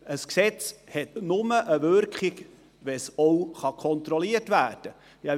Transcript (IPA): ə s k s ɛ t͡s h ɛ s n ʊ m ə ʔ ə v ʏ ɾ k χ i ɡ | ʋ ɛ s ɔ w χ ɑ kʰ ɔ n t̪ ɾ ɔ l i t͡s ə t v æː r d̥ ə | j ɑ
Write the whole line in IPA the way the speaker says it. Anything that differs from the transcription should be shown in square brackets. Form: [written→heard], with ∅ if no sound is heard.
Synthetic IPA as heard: ə s k s ɛ t͡s h ɛ [s→t] n ʊ m ə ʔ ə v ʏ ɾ k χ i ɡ | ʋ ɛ s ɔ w χ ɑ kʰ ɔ n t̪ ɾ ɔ l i [t͡s→∅] ə t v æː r d̥ ə | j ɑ